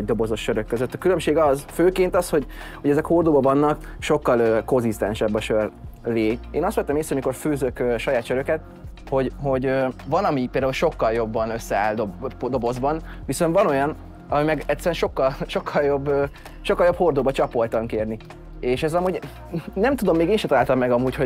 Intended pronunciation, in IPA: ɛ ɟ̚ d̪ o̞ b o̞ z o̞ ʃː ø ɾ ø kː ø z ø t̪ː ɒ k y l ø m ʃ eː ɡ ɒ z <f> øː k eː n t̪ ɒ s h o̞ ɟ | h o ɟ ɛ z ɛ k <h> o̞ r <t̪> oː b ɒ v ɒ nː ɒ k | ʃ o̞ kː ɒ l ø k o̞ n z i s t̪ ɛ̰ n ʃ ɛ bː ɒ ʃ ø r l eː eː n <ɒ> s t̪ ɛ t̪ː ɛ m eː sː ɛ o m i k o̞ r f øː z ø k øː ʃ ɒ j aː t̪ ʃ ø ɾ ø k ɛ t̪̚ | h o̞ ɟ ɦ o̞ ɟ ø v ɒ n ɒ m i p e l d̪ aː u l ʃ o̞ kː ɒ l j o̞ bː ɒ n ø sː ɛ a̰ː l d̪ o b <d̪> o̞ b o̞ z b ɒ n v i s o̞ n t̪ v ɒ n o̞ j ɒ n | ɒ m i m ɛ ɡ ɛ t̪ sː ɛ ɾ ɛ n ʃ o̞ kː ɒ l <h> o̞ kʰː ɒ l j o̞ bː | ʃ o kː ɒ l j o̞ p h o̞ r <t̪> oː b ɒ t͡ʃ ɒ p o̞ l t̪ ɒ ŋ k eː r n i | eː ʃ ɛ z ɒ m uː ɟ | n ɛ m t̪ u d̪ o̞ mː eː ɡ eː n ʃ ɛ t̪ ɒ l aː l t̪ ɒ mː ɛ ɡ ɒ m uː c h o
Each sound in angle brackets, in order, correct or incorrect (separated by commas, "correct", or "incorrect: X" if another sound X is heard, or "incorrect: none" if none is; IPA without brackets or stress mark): correct, correct, incorrect: d̪, correct, correct, incorrect: ʃ, incorrect: d̪